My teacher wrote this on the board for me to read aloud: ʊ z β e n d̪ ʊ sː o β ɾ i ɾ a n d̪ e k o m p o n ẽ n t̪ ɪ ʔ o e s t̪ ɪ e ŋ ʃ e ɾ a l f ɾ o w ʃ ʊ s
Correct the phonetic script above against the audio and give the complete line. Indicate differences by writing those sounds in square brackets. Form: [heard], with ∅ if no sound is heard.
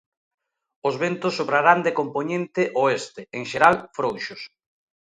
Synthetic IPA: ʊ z β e n [t̪] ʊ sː o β ɾ [a] ɾ a n d̪ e k o m p o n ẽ n t̪ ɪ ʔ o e s t̪ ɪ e ŋ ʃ e ɾ a l f ɾ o w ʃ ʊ s

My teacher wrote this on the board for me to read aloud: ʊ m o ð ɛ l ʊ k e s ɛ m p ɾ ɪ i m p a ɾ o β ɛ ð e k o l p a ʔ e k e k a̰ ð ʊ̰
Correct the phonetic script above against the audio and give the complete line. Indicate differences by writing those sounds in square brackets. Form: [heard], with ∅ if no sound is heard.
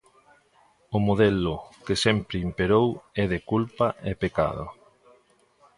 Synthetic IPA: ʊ m o ð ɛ l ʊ k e s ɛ m p ɾ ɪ i m p [e] ɾ o [w] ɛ ð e k [u] l p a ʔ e [p] e k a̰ ð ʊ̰

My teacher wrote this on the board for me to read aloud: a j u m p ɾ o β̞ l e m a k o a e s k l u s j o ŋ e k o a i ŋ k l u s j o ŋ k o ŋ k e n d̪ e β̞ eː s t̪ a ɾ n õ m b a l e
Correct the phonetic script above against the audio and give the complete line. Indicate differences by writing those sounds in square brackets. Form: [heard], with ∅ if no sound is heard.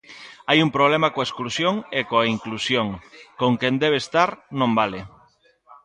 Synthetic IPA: a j u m p ɾ o β̞ l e m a k o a e s k l u s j o ŋ e k o a i ŋ k l u s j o ŋ k o ŋ k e n d̪ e β̞ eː s t̪ a ɾ n õ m b a l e

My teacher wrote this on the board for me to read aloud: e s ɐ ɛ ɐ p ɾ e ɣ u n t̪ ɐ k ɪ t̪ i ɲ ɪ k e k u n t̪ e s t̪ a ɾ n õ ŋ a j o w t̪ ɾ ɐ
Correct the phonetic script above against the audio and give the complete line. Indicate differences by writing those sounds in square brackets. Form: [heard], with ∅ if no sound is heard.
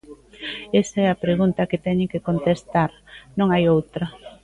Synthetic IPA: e s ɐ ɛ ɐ p ɾ e ɣ u n t̪ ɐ k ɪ t̪ [ɛ] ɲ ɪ k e k [o] n t̪ e s t̪ a ɾ n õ ŋ a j o w t̪ ɾ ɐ

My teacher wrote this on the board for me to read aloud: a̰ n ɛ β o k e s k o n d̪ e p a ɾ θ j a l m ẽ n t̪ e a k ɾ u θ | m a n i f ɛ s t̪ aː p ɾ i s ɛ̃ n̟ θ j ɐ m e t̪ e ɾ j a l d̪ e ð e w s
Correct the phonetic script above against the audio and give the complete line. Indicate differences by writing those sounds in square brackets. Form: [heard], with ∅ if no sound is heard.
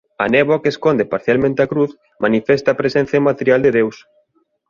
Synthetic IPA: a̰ n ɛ β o k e s k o n d̪ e p a ɾ θ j a l m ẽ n t̪ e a k ɾ u θ | m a n i f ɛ s t̪ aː p ɾ [e] s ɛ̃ n̟ θ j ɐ m [a] t̪ e ɾ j a l d̪ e ð e w s

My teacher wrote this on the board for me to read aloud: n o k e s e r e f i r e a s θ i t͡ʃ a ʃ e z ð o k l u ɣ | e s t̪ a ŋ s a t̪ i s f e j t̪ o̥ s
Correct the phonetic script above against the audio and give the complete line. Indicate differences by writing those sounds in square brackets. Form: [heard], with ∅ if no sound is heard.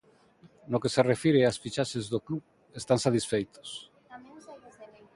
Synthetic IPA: n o k e s e r e f i [ɾ] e a s [f] i t͡ʃ a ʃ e z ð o k l u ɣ | e s t̪ a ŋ s a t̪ i s f e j t̪ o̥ s

